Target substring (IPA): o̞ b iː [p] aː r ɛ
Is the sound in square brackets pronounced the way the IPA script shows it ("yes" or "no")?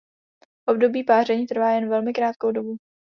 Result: yes